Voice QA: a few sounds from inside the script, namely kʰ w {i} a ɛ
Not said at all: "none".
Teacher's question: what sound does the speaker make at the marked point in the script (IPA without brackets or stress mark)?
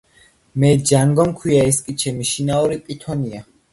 i